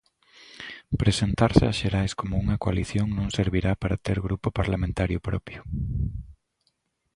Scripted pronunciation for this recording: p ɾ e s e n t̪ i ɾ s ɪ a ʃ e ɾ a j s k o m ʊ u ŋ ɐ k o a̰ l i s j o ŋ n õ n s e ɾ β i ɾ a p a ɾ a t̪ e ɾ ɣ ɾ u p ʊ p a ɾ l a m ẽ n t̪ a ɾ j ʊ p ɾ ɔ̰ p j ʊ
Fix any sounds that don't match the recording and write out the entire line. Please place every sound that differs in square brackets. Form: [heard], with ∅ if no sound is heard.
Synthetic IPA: p ɾ e s e n t̪ [a] ɾ s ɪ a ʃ e ɾ a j s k o m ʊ u ŋ ɐ k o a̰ l i [θ] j o ŋ n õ [ŋ] s e ɾ β i ɾ a p a ɾ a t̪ e ɾ ɣ ɾ u p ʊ p a ɾ l a m ẽ n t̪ a ɾ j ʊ p ɾ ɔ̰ p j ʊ